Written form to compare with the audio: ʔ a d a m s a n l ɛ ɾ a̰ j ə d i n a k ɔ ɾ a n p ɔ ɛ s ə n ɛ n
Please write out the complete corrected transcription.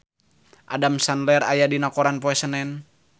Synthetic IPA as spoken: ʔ a d a m s a n l ɛ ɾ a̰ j a d i n a k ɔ ɾ a n p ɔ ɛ s ə n ɛ n